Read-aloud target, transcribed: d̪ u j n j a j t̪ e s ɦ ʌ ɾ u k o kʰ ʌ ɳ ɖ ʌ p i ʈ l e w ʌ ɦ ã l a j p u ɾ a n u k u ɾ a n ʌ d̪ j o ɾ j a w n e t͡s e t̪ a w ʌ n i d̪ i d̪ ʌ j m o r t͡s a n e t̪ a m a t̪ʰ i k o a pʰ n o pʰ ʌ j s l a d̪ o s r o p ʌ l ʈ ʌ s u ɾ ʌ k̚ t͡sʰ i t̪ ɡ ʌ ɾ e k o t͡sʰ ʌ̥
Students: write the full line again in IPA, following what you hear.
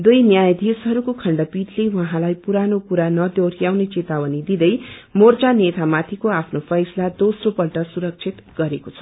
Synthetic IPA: d̪ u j n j a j d̪ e s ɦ ʌ ɾ u k o kʰ ʌ ɳ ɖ ʌ p i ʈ l e w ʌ ɦ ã l a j p u ɾ a n o k u ɾ a n ʌ d̪ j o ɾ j a w n e t͡s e t̪ a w ʌ n i d̪ i d̪ ʌ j m o r t͡s a n e t̪ a m a t̪ʰ i k o a pʰ n o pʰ ʌ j s l a d̪ o s r o p ʌ l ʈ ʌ s u ɾ ʌ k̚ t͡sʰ i t̪ ɡ ʌ ɾ e k o t͡sʰ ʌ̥

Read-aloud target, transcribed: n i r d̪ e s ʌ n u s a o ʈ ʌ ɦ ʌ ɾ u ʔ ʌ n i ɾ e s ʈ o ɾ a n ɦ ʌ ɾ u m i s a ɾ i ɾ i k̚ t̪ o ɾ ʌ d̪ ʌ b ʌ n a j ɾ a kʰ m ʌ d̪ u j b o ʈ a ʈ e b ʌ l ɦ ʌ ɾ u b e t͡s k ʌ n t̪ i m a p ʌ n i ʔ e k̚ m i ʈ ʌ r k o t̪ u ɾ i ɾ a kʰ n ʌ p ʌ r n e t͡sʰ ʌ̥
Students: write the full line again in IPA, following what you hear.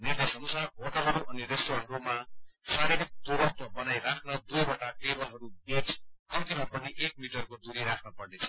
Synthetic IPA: n i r d̪ e s ʌ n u s a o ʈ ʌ ɦ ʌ ɾ u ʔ ʌ n i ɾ e s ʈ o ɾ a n ɦ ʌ ɾ u m a s a ɾ i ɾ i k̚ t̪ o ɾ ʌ t̪ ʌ b ʌ n a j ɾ a kʰ n ʌ d̪ u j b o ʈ a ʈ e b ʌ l ɦ ʌ ɾ u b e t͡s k ʌ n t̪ i m a p ʌ n i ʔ e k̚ m i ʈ ʌ r k o d̪ u ɾ i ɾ a kʰ n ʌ p ʌ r n e t͡sʰ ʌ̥

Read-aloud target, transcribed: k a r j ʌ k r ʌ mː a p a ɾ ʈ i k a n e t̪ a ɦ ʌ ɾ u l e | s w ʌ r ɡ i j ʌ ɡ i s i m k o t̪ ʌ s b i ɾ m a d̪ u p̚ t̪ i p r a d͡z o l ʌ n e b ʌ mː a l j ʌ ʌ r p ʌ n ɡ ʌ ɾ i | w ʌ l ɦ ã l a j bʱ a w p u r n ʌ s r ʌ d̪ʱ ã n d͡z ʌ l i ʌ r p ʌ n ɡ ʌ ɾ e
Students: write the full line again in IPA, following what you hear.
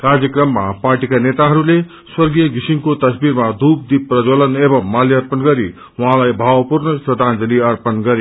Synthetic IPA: k a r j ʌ k r ʌ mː a p a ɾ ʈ i k a n e t̪ a ɦ ʌ ɾ u l e | s w ʌ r ɡ i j ʌ ɡ i s i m k o t̪ ʌ s b i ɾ m a d̪ u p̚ d̪ i p r ʌ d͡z o l ʌ n e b ʌ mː a l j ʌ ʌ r p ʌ n ɡ ʌ ɾ i | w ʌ ɦ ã l a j bʱ a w p u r n ʌ s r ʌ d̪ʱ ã n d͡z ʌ l i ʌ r p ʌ n ɡ ʌ ɾ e

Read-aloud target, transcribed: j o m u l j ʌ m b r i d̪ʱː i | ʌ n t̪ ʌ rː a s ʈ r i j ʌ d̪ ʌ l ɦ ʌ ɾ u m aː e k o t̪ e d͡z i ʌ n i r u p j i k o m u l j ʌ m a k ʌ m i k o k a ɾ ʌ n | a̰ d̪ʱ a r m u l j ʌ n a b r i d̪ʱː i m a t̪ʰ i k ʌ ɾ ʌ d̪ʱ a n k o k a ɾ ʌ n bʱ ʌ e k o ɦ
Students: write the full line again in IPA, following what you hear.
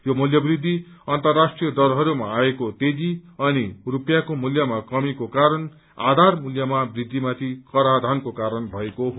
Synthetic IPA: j o m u l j ʌ b r i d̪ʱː i | ʌ n t̪ ʌ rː a s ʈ r i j ʌ d̪ ʌ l ɦ ʌ ɾ u m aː e k o t̪ e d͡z i ʌ n i r u p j a k o m u l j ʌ m a k ʌ m i k o k a ɾ ʌ n | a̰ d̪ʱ a r m u l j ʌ m a b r i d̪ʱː i m a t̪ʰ i k ʌ ɾ a d̪ʱ a n k o k a ɾ ʌ n bʱ ʌ e k o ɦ

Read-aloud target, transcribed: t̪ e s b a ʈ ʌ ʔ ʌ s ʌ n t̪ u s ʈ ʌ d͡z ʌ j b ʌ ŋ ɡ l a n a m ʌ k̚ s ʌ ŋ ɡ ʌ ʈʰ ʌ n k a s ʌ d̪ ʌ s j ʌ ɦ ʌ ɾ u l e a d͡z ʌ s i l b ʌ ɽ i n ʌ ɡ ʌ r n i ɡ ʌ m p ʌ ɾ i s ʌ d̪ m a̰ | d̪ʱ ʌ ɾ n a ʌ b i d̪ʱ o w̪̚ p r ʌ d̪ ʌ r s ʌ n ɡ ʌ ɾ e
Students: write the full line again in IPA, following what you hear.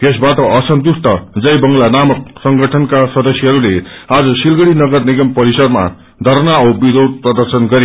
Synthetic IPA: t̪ e s b a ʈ ʌ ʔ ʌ s ʌ n t̪ u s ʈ ʌ d͡z ʌ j b ʌ ŋ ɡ l a n a m ʌ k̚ s ʌ ŋ ɡ ʌ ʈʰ ʌ n k a s ʌ d̪ ʌ s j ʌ ɦ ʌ ɾ u l e a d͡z ʌ s i l ɡ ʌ ɽ i n ʌ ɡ ʌ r n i ɡ ʌ m p ʌ ɾ i s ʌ d̪ m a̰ | d̪ʱ ʌ ɾ n a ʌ b i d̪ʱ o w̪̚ p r ʌ d̪ ʌ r s ʌ n ɡ ʌ ɾ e

